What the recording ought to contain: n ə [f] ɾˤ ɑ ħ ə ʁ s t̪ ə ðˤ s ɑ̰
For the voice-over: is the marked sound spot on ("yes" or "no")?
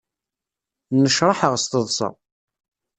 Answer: no